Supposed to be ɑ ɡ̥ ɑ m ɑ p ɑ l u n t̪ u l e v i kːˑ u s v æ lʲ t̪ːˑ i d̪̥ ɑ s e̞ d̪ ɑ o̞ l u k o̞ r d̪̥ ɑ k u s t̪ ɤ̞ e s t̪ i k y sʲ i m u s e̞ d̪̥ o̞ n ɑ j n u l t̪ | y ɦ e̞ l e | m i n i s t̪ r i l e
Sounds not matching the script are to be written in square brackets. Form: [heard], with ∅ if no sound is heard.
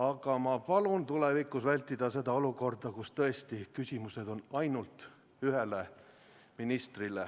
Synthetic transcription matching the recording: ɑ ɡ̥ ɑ m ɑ p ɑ l u n t̪ u l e v i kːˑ u s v æ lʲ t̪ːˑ i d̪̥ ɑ s e̞ d̪ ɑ o̞ l u k o̞ r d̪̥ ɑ k u s t̪ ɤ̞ e s t̪ i k y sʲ i m u s e̞ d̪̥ o̞ n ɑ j n u l t̪ | y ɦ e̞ l e | m i n i s t̪ r i l e